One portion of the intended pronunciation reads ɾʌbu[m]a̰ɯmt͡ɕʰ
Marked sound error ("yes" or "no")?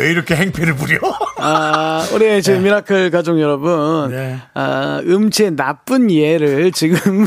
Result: yes